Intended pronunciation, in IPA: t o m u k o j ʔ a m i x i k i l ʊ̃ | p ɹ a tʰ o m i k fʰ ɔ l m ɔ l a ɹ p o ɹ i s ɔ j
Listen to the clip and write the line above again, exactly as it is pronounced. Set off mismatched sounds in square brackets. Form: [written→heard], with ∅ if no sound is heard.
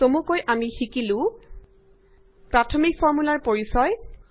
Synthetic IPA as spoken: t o m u k o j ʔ a m i x i k i l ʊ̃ | p ɹ a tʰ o m i k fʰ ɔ [l→ɹ] m [ɔ→u] l a ɹ p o ɹ i s ɔ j